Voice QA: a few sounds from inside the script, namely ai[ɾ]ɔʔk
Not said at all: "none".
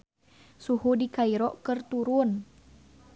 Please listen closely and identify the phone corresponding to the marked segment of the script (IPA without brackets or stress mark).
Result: ɾ